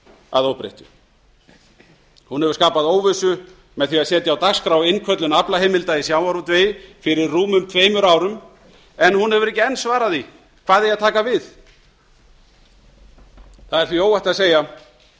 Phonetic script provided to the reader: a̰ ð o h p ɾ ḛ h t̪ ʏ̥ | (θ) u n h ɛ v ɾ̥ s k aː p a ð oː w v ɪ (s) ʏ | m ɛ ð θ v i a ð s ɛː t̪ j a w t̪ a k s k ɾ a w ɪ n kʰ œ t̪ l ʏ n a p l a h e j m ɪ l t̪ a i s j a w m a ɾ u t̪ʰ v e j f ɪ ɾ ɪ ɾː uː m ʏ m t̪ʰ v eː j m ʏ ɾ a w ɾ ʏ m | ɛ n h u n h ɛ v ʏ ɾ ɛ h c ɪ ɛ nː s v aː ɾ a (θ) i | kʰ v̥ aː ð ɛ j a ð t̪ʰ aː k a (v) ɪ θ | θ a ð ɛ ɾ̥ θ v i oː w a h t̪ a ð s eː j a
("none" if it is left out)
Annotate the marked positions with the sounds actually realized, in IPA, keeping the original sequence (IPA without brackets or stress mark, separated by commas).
h, s, ð, v